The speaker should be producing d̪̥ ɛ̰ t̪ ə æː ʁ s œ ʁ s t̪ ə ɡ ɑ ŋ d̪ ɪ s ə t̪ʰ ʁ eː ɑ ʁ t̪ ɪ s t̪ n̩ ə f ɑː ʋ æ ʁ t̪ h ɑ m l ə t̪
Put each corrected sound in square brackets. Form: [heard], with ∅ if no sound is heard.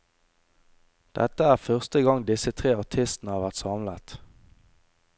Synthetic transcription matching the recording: d̪̥ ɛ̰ t̪ ə æː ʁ [f] œ ʁ s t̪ ə ɡ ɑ ŋ d̪ ɪ s ə t̪ʰ ʁ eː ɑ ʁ [t̪ʰ] ɪ s t̪ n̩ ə [h] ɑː ʋ æ ʁ t̪ [s] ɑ m l ə t̪

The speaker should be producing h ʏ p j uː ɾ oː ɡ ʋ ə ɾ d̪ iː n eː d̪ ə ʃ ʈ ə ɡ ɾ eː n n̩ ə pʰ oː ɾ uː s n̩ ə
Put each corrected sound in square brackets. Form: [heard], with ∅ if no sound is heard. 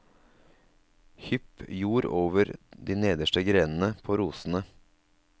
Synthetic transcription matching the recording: h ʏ p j uː ɾ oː [∅] ʋ ə ɾ d̪ iː n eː d̪ ə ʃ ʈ ə ɡ ɾ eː n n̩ ə pʰ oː ɾ uː s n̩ ə

